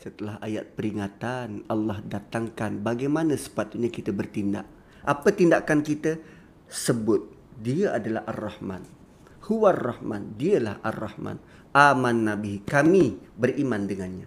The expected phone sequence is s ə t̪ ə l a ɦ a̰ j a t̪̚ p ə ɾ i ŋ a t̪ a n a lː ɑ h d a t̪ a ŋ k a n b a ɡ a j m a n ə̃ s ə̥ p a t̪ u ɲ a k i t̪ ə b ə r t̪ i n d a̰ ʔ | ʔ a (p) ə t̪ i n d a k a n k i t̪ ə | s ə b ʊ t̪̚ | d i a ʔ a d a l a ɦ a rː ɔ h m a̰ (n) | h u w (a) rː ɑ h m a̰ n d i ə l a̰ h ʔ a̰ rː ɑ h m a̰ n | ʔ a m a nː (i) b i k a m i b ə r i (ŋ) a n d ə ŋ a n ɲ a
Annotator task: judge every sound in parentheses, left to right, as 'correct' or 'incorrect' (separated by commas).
correct, correct, correct, incorrect, incorrect